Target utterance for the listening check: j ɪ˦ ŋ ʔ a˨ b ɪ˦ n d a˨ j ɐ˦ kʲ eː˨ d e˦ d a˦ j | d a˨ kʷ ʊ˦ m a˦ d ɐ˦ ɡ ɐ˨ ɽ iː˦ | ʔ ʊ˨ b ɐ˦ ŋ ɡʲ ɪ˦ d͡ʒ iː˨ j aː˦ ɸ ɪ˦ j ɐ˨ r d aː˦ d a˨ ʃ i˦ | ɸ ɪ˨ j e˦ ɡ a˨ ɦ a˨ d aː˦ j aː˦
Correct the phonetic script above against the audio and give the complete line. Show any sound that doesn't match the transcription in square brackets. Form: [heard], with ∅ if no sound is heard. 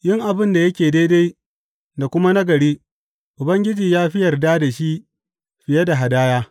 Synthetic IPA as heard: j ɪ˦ ŋ ʔ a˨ b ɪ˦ n d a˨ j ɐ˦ kʲ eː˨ d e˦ d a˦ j | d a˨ kʷ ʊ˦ m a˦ [n] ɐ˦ ɡ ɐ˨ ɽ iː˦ | ʔ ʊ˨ b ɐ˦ ŋ ɡʲ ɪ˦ d͡ʒ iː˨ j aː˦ ɸ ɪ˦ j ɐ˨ r d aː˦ d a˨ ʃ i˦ | ɸ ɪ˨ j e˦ [d] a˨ ɦ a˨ d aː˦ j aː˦